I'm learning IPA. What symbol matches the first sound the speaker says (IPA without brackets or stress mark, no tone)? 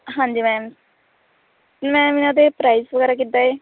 ɦ